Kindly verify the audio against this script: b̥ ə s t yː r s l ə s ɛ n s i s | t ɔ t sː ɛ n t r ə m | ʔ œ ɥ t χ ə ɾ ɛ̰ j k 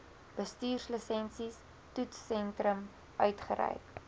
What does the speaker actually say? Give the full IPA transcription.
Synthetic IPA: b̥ ə s t yː r s l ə s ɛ n s i s | t u t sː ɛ n t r ə m | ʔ œ ɥ t χ ə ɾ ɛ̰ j k